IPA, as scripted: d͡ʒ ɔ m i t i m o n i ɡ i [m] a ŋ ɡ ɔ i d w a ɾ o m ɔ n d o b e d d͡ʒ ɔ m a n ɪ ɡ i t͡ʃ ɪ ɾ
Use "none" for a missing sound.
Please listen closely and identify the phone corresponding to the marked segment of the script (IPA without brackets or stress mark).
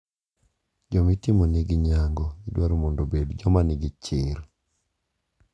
ɲ